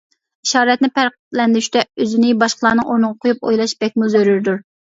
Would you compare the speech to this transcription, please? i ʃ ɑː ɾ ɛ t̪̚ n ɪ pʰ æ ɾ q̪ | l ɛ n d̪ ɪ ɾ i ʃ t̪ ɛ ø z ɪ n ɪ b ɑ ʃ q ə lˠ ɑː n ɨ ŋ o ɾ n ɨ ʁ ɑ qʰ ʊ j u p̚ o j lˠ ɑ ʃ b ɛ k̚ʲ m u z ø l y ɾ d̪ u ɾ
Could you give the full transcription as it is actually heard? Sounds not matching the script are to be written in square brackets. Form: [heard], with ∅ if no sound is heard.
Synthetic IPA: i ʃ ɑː ɾ ɛ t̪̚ n ɪ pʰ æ ɾ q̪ | l ɛ n d̪ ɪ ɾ [y] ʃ t̪ ɛ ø z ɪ n ɪ b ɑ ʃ q ə lˠ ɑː n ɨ ŋ o ɾ n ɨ ʁ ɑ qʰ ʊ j u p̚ o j lˠ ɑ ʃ b ɛ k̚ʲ m u z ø [ɾ] y ɾ d̪ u ɾ